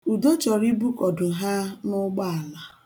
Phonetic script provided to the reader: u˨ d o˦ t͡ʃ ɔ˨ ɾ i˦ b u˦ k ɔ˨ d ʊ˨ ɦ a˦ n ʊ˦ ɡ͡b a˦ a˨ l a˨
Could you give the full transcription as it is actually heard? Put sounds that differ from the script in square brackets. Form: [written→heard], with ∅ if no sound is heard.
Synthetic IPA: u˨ d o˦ t͡ʃ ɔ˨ ɾ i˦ b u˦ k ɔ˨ d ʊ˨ ɦ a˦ n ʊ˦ ɡ͡b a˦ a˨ l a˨